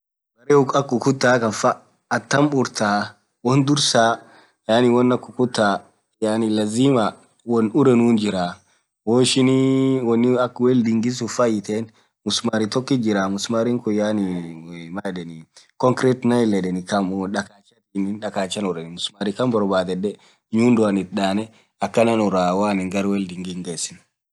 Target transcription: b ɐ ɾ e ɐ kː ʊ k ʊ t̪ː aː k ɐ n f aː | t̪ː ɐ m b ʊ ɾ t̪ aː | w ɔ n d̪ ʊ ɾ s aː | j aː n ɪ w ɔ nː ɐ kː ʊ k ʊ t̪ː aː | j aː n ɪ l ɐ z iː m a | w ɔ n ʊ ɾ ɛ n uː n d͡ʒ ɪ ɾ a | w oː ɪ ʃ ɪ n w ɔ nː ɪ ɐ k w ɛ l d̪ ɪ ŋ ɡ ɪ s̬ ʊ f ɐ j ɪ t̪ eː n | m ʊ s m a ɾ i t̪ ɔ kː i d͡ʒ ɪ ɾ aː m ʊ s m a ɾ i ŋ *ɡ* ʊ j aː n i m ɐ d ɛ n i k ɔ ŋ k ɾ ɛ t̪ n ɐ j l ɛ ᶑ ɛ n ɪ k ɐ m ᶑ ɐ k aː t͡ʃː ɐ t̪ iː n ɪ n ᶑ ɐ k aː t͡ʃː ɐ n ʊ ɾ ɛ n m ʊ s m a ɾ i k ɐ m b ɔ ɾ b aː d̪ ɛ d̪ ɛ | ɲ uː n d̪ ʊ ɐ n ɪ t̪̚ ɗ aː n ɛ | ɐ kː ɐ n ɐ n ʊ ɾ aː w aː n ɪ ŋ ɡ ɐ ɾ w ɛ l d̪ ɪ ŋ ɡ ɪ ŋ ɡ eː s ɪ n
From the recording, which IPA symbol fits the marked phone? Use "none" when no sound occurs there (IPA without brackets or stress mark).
k